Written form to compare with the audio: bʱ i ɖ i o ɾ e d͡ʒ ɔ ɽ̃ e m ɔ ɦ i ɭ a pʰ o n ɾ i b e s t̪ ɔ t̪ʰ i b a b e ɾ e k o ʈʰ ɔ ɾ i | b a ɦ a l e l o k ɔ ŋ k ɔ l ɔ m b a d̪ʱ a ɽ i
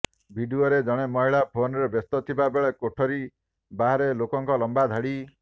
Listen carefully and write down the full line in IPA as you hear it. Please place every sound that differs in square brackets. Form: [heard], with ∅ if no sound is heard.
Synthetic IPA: bʱ i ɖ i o ɾ e d͡ʒ ɔ ɽ̃ e m ɔ ɦ i ɭ a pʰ o n ɾ [e] b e s t̪ ɔ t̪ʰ i b a b e [ɭ] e k o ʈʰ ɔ ɾ i | b a ɦ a [ɾ] e l o k ɔ ŋ k ɔ l ɔ m b a d̪ʱ a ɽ i

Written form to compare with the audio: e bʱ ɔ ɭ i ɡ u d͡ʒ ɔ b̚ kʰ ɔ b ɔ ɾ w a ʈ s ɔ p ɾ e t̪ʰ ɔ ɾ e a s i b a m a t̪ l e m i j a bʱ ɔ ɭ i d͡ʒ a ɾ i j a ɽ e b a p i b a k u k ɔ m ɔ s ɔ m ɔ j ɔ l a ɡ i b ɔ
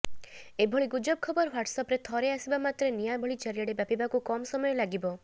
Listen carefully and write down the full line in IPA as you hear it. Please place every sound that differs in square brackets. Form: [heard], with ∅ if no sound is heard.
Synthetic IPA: e bʱ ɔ ɭ i ɡ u d͡ʒ ɔ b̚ kʰ ɔ b ɔ ɾ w a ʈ s ɔ p ɾ e t̪ʰ ɔ ɾ e a s i b a m a t̪ [ɾ] e [n] i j a bʱ ɔ ɭ i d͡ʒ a ɾ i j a ɽ e b a p i b a k u k ɔ m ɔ s ɔ m ɔ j ɔ l a ɡ i b ɔ

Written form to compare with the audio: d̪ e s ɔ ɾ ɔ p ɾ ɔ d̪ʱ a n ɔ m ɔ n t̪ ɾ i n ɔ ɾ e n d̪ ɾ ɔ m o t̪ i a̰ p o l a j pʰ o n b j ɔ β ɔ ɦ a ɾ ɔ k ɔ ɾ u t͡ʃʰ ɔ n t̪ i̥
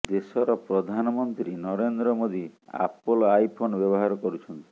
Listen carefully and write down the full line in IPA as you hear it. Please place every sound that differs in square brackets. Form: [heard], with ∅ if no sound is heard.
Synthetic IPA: d̪ e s ɔ ɾ ɔ p ɾ ɔ d̪ʱ a n ɔ m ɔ n t̪ ɾ i n ɔ ɾ e n d̪ ɾ ɔ m o [d̪] i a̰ p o l a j pʰ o n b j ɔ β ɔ ɦ a ɾ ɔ k ɔ ɾ u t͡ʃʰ ɔ n t̪ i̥

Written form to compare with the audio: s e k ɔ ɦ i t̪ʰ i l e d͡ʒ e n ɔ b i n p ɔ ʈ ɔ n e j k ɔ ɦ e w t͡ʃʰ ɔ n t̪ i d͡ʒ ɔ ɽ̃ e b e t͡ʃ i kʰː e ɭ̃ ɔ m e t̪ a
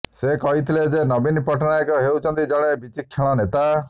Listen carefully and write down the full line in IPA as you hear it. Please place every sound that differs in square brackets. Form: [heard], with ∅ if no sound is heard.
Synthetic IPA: s e k ɔ ɦ i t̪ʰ i l e d͡ʒ e n ɔ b i n p ɔ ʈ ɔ n [a] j k ɔ ɦ e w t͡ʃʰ ɔ n t̪ i d͡ʒ ɔ ɽ̃ e b [i] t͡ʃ i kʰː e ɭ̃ ɔ [n] e t̪ a

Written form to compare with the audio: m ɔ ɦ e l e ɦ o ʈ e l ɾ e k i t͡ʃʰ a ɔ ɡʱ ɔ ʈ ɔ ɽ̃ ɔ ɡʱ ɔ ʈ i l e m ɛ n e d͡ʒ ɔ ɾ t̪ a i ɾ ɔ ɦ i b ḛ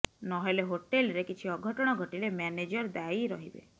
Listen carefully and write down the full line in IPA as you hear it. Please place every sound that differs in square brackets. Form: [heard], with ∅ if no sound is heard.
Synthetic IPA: [n] ɔ ɦ e l e ɦ o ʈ e l ɾ e k i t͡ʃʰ [i] ɔ ɡʱ ɔ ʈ ɔ ɽ̃ ɔ ɡʱ ɔ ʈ i l e m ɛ n e d͡ʒ ɔ ɾ [d̪] a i ɾ ɔ ɦ i b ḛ

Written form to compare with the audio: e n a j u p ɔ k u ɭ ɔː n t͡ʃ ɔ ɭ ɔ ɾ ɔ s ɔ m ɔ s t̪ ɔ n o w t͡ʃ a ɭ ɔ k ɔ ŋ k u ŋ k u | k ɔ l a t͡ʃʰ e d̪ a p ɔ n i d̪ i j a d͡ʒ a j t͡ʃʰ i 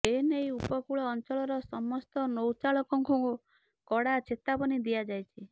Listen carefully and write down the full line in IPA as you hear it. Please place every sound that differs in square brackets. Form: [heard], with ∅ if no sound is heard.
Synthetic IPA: e n [e] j u p ɔ k u ɭ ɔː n t͡ʃ ɔ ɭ ɔ ɾ ɔ s ɔ m ɔ s t̪ ɔ n o w t͡ʃ a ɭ ɔ k ɔ ŋ k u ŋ k u | k ɔ [ɽ] a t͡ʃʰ e [t̪] a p ɔ n i d̪ i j a d͡ʒ a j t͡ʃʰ i

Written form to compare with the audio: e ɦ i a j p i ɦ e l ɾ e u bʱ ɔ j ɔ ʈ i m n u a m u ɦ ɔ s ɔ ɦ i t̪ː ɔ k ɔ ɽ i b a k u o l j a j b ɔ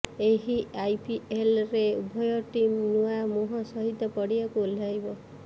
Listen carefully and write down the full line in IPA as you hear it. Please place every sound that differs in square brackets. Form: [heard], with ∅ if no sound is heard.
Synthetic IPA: e ɦ i a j p i [∅] e l ɾ e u bʱ ɔ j ɔ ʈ i m n u a m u ɦ ɔ s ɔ ɦ i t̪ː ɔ [p] ɔ ɽ i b a k u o l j a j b ɔ

